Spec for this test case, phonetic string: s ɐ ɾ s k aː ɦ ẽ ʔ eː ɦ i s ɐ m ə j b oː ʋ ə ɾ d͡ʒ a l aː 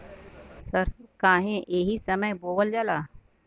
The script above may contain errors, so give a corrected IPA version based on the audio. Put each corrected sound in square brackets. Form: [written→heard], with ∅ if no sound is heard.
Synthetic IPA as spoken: s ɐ ɾ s k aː ɦ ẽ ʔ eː ɦ i s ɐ m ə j b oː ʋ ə [ɾ→l] d͡ʒ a l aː